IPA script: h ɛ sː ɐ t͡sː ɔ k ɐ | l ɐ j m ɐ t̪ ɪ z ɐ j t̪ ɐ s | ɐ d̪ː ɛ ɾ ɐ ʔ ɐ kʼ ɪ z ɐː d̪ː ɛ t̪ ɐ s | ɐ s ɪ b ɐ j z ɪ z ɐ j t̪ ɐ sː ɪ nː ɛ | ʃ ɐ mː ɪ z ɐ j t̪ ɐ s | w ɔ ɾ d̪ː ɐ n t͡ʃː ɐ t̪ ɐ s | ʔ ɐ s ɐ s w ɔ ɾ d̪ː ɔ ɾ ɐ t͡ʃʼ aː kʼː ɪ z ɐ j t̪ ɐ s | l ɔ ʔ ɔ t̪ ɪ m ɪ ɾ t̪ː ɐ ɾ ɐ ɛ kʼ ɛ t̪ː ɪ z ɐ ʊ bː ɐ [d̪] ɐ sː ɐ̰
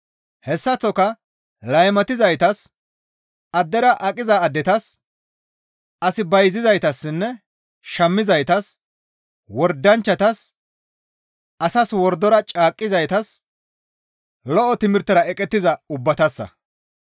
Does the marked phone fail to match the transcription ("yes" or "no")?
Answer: yes